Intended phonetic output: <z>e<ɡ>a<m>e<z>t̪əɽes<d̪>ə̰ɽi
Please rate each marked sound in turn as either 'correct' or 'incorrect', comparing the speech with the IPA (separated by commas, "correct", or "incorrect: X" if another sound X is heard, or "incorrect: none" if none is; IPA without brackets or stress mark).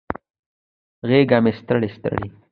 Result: incorrect: ɣ, correct, correct, incorrect: s, incorrect: t̪